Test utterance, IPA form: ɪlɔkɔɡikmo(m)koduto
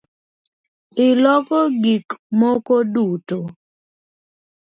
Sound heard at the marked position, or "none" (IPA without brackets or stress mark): none